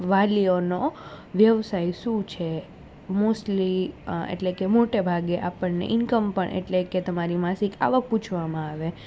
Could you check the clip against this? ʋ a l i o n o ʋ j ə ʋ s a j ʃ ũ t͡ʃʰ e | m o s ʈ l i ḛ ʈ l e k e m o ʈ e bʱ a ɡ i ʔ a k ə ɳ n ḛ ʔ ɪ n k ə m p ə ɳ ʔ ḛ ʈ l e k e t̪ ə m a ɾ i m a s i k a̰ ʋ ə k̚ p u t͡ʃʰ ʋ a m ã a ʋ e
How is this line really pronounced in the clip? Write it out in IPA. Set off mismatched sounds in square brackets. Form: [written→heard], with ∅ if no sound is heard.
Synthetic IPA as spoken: ʋ a l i o n o ʋ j ə ʋ s a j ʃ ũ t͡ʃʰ e | m o s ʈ l i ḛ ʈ l e k e m o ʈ e bʱ a ɡ [i→e] ʔ a [k→p] ə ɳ n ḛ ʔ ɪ n k ə m p ə ɳ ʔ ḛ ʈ l e k e t̪ ə m a ɾ i m a s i k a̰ ʋ ə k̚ p u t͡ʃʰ ʋ a m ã a ʋ e